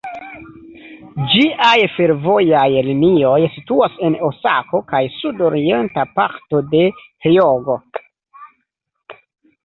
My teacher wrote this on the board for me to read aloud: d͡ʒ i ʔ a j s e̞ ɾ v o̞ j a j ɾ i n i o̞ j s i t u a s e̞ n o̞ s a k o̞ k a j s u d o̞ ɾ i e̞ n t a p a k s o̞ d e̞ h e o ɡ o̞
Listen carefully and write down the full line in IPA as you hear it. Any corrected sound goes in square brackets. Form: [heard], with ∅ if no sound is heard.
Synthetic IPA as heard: d͡ʒ i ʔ a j [f] e̞ ɾ v o̞ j a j [l] i n i o̞ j s i t u a s e̞ n o̞ s a k o̞ k a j s u d o̞ ɾ i e̞ n t a p a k [t] o̞ d e̞ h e o ɡ o̞

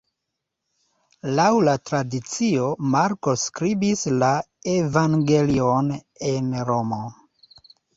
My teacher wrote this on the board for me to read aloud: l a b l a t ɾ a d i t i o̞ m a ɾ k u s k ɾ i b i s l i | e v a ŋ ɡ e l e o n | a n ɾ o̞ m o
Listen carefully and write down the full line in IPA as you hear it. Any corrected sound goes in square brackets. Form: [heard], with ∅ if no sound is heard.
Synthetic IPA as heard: l a [w] l a t ɾ a d i [t͡s] i o̞ m a ɾ k [o] s k ɾ i b i s l [a] | e v a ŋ ɡ e l [i] o n | [e] n ɾ o̞ m o

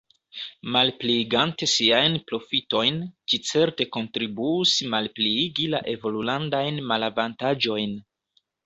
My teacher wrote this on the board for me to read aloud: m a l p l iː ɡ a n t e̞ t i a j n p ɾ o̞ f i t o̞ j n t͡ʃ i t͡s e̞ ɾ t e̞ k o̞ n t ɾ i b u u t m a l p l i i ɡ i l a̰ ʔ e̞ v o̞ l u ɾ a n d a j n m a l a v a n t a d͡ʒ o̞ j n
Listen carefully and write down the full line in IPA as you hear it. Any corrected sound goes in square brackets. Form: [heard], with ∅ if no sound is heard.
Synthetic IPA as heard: m a l p l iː ɡ a n t e̞ [s] i a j n p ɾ o̞ f i t o̞ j n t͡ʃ i t͡s e̞ ɾ t e̞ k o̞ n t ɾ i b u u [s] m a l p l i i ɡ i l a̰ ʔ e̞ v o̞ l u [l] a n d a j n m a l a v a n t a d͡ʒ o̞ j n

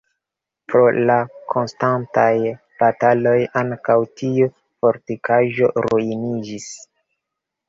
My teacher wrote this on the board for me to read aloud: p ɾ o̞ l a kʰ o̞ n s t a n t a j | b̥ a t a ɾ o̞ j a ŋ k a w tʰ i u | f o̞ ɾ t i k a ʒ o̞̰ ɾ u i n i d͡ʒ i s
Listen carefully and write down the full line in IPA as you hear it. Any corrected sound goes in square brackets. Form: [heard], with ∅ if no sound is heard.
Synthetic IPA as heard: p ɾ o̞ l a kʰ o̞ n s t a n t a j | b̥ a t a [l] o̞ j a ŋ k a w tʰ i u | f o̞ ɾ t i k a ʒ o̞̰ ɾ u i n i d͡ʒ i s

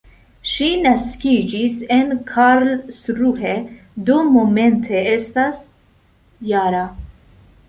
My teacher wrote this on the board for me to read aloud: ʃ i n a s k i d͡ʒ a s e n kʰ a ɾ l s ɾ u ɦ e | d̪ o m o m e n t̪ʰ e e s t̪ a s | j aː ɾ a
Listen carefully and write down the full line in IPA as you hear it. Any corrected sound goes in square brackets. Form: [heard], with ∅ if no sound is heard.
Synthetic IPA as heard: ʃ i n a s k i d͡ʒ [i] s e n kʰ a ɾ l s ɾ u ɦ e | d̪ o m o m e n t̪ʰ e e s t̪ a s | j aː ɾ a

